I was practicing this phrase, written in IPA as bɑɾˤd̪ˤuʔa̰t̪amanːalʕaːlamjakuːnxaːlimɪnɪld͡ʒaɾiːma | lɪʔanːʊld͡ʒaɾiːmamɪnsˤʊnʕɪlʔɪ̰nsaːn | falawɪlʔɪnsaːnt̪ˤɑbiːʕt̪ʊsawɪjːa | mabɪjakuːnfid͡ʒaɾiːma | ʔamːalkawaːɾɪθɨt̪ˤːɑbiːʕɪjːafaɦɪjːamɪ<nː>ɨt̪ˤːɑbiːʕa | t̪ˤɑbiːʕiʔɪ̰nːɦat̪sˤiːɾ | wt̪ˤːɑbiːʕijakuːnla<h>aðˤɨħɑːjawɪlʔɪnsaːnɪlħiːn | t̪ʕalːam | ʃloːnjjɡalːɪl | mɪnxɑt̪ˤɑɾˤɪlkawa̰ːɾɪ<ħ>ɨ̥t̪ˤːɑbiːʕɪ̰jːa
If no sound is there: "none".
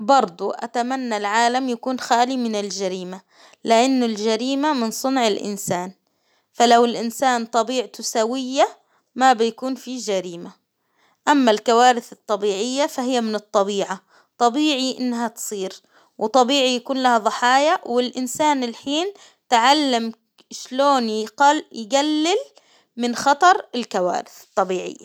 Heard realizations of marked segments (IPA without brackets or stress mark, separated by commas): n, h, θ